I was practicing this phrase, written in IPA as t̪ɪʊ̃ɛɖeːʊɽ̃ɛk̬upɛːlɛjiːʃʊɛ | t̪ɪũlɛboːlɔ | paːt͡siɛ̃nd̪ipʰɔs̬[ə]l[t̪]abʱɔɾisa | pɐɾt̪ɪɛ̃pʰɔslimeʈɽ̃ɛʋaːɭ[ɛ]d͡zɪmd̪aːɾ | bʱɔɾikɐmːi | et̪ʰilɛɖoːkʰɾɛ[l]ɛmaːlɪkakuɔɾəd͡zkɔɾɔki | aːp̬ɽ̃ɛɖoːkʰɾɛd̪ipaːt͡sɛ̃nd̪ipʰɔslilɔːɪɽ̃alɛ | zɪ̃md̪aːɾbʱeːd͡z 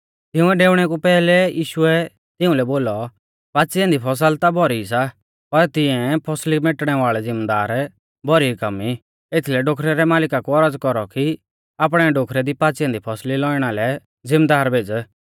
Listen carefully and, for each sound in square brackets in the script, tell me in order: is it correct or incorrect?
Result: correct, correct, correct, incorrect: ɾ

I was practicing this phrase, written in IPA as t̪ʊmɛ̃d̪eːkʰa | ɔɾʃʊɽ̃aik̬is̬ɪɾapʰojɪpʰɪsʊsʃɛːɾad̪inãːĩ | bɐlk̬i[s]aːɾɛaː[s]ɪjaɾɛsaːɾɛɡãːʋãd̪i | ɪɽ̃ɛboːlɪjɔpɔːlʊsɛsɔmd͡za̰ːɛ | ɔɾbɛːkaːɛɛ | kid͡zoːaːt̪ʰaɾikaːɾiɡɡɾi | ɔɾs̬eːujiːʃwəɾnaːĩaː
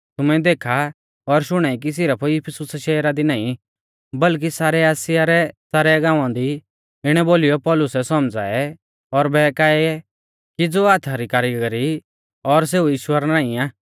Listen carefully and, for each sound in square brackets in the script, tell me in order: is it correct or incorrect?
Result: correct, correct

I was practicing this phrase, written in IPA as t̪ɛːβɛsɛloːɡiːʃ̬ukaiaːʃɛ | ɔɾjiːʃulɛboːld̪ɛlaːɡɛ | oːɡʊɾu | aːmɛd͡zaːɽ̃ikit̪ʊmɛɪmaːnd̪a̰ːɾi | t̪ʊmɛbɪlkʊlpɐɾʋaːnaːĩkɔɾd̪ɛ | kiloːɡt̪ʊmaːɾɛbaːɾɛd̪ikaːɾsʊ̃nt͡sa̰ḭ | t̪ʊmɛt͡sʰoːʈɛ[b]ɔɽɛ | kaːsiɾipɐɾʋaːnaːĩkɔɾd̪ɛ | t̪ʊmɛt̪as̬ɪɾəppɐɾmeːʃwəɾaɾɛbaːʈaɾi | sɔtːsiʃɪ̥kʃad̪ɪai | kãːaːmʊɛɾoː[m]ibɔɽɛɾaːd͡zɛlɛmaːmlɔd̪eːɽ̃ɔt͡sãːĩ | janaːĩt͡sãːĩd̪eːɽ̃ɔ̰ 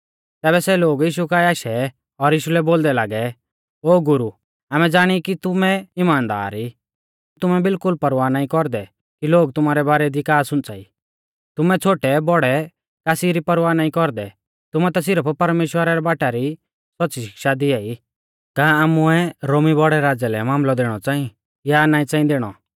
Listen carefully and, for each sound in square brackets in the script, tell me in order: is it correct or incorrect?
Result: correct, correct

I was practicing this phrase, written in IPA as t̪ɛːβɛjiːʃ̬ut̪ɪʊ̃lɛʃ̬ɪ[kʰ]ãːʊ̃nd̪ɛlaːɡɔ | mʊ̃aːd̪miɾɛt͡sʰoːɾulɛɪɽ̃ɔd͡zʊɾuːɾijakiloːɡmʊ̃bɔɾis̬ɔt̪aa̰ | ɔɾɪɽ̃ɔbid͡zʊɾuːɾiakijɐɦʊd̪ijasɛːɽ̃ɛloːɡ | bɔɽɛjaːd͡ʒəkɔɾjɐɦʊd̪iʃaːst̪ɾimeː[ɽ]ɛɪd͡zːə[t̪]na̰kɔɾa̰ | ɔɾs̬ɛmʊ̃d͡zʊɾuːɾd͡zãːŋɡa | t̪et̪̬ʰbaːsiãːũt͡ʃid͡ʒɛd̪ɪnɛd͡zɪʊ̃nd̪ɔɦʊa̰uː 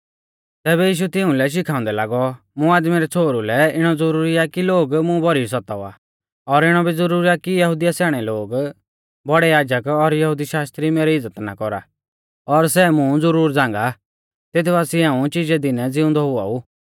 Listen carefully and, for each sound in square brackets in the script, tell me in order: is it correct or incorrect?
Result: correct, incorrect: ɾ, correct

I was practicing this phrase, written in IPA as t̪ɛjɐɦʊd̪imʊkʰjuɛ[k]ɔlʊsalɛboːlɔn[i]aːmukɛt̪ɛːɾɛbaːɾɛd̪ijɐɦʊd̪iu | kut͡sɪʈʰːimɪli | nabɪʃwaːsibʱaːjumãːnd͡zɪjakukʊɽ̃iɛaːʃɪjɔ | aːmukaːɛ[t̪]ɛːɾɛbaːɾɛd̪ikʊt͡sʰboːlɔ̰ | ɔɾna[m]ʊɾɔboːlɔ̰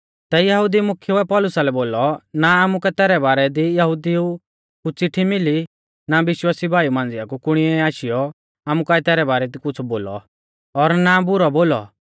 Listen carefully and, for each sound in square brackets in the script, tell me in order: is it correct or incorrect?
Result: incorrect: p, incorrect: a, correct, incorrect: b

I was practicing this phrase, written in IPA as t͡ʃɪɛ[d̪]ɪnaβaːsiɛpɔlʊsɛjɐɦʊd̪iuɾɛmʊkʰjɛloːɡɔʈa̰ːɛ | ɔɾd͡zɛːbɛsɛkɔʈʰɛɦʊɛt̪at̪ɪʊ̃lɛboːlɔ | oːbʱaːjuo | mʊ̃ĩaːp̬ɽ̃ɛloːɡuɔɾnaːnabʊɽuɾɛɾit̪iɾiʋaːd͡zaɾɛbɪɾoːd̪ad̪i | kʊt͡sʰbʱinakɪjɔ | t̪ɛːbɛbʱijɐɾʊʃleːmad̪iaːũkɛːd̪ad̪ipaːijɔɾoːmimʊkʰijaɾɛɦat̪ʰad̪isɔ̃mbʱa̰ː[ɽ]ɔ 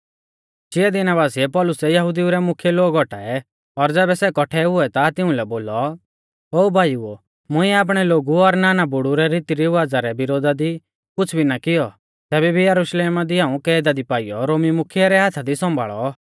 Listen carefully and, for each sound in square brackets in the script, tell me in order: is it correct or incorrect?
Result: correct, incorrect: ɭ

